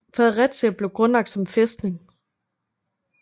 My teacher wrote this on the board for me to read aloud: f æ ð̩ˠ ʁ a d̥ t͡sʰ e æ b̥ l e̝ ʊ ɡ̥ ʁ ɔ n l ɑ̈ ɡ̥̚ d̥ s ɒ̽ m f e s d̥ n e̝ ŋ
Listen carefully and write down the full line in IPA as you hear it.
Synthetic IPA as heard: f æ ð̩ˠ ʁ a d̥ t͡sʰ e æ b̥ l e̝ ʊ ɡ̥ ʁ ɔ n l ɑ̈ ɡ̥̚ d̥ s ɒ̽ m f e s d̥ n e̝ ŋ